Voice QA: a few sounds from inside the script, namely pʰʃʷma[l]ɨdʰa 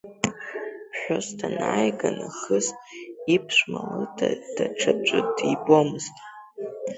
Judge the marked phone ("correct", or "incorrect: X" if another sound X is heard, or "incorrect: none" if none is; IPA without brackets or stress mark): correct